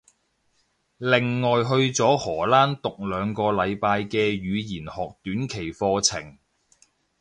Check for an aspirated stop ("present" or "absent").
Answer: present